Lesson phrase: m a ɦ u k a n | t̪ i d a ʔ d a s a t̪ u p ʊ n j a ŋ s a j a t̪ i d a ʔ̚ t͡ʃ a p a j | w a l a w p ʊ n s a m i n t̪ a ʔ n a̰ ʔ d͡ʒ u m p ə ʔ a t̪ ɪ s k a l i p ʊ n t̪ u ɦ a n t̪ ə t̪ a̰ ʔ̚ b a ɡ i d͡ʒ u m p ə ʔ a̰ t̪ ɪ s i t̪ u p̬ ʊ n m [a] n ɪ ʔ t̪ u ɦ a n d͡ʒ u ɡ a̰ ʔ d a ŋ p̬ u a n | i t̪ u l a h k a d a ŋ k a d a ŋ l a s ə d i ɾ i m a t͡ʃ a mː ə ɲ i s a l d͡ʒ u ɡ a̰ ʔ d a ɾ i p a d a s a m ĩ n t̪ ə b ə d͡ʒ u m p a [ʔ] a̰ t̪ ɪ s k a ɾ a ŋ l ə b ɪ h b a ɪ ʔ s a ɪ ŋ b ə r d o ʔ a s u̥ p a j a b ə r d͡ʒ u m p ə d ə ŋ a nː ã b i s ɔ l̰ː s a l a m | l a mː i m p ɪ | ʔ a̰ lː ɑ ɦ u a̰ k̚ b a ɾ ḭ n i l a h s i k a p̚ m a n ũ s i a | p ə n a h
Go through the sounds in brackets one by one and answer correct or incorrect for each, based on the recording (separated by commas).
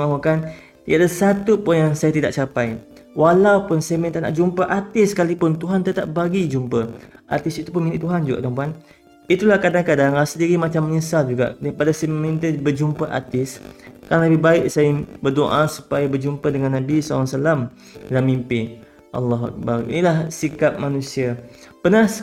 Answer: incorrect, correct